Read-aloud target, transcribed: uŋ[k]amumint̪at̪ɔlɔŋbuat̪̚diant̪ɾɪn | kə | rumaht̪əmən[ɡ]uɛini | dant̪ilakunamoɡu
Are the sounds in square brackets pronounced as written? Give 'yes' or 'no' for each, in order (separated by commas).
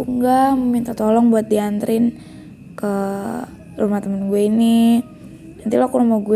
no, yes